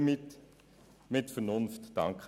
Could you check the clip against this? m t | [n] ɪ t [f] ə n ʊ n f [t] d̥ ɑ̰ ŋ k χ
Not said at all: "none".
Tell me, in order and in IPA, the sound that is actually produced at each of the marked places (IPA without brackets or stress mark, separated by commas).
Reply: m, f, t